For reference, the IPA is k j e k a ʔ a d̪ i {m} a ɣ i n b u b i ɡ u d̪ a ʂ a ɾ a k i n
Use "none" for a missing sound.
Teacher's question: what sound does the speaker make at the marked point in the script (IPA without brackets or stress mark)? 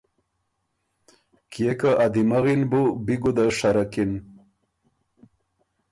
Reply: m